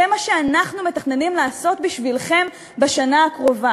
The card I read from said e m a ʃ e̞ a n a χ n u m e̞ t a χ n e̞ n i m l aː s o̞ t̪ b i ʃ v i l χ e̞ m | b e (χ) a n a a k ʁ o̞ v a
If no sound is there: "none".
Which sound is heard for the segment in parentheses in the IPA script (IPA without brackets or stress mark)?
ʃ